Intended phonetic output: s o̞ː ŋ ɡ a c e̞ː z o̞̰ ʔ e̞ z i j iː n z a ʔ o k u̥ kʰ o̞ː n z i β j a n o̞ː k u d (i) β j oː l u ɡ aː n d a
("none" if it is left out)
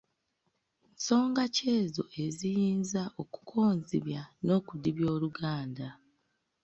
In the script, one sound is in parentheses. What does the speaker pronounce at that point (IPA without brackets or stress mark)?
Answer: i